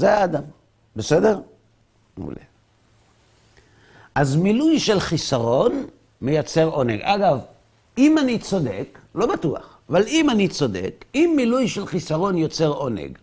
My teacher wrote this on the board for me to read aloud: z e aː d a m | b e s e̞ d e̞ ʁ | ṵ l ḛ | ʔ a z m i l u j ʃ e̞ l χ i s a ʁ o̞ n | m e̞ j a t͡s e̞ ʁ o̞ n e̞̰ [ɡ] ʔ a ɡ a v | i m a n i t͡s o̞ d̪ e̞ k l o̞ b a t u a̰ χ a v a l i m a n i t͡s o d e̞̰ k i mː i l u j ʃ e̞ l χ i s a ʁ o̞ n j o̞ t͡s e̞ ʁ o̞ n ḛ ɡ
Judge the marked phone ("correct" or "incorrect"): correct